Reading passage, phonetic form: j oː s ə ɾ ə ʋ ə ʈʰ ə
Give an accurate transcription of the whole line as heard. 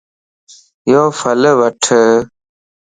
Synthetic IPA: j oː f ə l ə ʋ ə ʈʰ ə

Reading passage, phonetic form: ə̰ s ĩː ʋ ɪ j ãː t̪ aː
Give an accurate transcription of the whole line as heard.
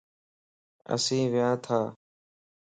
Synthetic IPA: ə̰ s ĩː ʋ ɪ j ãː t̪ʰ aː

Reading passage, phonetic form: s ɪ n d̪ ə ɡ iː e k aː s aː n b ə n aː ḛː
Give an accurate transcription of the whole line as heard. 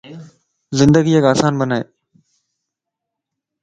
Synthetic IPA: z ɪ n d̪ ə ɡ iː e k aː s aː n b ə n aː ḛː

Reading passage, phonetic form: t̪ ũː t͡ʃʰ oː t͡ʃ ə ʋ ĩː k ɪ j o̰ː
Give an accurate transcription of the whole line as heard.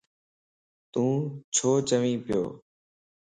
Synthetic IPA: t̪ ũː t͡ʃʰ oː t͡ʃ ə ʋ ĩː p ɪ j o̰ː

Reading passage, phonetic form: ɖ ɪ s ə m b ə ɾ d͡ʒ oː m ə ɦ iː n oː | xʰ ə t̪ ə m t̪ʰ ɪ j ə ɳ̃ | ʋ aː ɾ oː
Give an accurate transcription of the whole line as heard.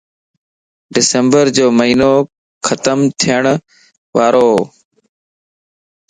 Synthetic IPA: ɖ ɪ s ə m b ə ɾ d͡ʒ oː m ə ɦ iː n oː | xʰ ə t̪ ə m t̪ʰ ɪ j ə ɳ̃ | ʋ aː ɾ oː

